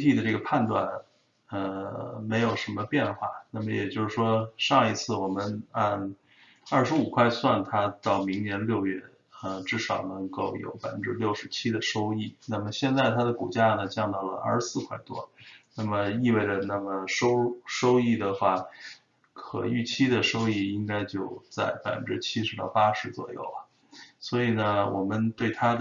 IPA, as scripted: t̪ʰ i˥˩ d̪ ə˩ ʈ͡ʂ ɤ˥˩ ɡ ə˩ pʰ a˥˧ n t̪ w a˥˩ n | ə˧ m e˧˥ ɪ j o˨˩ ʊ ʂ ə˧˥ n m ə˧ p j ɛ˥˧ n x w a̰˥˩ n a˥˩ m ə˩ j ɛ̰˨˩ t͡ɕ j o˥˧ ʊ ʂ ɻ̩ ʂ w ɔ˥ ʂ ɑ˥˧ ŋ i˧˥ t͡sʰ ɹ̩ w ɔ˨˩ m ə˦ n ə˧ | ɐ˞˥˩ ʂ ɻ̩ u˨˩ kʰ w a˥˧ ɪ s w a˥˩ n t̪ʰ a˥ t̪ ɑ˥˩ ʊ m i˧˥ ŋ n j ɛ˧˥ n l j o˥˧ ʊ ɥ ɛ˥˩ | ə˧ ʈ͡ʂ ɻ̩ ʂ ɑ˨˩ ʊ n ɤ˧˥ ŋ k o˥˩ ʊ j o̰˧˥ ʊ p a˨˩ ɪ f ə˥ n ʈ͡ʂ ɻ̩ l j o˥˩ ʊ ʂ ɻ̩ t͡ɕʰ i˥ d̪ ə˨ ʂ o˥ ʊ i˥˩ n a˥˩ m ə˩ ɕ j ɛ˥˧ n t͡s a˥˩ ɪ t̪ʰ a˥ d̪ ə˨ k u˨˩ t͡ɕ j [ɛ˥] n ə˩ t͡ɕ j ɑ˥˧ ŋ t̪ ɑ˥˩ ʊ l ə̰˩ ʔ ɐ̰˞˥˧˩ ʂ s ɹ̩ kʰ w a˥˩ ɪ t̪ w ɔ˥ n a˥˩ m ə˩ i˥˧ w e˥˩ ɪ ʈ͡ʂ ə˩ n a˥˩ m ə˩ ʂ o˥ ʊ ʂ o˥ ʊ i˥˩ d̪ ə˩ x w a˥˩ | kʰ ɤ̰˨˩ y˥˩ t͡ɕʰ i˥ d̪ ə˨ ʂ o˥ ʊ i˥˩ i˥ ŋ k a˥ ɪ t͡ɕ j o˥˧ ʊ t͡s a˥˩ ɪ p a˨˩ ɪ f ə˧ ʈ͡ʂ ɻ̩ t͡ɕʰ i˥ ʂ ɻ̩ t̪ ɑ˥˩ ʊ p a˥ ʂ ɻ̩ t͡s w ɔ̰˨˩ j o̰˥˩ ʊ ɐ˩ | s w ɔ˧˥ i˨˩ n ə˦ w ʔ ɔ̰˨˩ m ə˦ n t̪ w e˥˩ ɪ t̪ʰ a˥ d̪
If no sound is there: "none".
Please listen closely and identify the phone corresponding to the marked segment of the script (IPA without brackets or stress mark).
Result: a˥